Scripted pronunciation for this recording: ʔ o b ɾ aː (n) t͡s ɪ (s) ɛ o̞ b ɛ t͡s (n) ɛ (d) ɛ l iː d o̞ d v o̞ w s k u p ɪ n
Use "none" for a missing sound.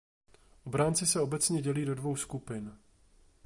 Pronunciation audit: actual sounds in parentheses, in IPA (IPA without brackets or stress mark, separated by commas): n, s, ɲ, ɟ